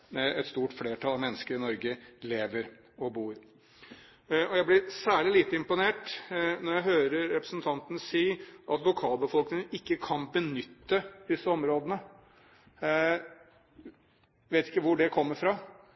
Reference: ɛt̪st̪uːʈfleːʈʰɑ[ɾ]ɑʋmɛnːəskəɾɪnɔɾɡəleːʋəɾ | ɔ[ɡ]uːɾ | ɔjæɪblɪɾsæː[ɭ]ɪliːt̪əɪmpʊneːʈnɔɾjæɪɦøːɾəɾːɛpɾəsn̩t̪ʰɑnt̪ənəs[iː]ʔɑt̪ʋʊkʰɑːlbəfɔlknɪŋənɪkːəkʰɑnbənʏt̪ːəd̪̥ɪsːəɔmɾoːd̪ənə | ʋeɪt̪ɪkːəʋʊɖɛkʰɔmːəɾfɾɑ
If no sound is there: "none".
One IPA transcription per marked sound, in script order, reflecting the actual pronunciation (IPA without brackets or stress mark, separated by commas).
l, b, ɭ, iː